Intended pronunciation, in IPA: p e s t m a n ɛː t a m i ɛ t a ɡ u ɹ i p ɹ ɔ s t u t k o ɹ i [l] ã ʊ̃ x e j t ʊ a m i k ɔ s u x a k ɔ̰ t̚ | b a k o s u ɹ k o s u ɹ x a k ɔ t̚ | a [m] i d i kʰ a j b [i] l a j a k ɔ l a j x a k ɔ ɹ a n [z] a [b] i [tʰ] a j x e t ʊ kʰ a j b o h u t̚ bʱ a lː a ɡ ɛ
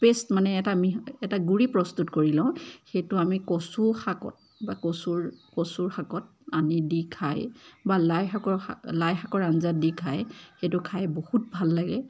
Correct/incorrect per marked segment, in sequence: correct, incorrect, incorrect, correct, incorrect, incorrect

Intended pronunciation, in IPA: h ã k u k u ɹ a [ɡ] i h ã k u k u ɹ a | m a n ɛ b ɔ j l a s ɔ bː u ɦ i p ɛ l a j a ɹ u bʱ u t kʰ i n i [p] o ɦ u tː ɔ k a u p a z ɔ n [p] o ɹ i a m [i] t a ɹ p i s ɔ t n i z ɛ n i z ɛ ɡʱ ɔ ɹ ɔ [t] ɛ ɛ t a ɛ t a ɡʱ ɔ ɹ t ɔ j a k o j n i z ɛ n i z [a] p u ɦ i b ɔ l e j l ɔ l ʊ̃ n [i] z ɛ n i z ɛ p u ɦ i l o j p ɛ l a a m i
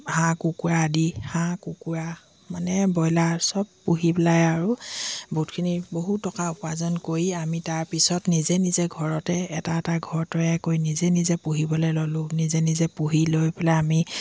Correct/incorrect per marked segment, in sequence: incorrect, incorrect, incorrect, correct, correct, incorrect, correct

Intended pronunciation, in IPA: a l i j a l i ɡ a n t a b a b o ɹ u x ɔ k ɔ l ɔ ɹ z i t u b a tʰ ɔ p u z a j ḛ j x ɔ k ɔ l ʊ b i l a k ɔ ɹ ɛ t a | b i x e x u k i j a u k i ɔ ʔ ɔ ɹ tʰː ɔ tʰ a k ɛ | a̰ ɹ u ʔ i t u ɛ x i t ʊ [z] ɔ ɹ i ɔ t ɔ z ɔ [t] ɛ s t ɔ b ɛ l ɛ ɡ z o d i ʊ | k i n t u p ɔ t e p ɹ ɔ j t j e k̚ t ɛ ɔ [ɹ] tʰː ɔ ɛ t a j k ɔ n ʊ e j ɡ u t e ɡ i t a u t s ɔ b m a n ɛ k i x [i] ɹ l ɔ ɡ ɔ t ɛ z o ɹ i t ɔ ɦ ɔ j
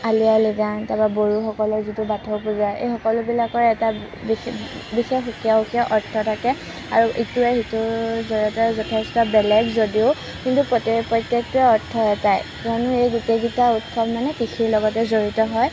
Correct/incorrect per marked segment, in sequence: correct, incorrect, correct, correct

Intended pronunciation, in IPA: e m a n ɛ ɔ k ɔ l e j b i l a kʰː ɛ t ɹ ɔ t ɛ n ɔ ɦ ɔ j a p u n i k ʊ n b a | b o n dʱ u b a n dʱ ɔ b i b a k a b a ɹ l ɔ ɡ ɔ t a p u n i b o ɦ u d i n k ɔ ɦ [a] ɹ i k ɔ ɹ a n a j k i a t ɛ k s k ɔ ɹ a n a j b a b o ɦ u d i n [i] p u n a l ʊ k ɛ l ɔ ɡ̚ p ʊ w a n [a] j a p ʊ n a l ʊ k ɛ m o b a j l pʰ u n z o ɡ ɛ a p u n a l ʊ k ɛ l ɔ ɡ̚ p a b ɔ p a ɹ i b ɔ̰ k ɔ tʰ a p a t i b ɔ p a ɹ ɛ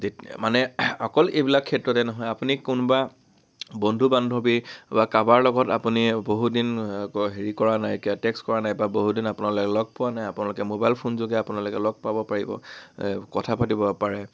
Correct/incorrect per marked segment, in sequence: incorrect, incorrect, correct

